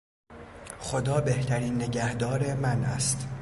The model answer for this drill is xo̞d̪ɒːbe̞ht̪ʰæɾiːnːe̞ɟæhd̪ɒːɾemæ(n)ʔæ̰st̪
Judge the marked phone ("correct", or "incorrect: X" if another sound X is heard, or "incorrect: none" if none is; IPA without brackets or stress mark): correct